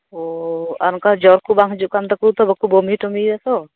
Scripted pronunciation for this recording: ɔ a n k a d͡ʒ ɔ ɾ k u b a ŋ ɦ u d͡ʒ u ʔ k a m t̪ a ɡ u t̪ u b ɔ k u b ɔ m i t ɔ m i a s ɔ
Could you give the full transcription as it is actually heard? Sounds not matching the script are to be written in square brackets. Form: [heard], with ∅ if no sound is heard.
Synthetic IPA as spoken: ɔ a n k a d͡ʒ ɔ ɾ k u b a ŋ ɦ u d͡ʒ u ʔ k a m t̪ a [k] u t̪ [ɔ] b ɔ k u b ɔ m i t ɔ m i a s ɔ